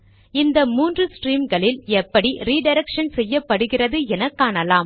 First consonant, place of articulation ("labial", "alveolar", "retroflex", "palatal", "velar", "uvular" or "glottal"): alveolar